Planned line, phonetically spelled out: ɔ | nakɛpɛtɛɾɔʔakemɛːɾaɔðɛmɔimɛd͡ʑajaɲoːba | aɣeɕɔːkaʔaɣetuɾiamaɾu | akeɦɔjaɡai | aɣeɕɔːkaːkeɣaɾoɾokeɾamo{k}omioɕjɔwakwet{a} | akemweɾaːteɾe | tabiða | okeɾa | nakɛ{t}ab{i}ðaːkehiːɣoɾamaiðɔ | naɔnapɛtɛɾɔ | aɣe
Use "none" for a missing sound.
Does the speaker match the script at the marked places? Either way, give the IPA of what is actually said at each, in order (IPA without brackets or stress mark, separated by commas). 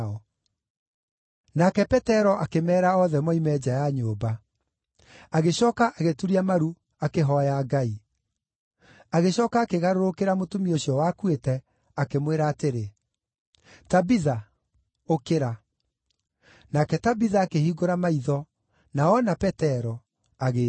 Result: t, ɛ, t, i